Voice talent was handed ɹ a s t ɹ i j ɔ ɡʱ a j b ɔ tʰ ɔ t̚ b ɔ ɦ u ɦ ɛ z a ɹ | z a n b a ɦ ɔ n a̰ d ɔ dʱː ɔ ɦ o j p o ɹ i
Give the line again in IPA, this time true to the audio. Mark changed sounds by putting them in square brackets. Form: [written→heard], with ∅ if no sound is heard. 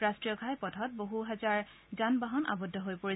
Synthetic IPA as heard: ɹ a s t ɹ i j ɔ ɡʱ a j [b→p] ɔ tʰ ɔ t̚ b [ɔ→o] ɦ u ɦ ɛ z a ɹ | z a n b a ɦ ɔ n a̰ [d→b] ɔ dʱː ɔ ɦ o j p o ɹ i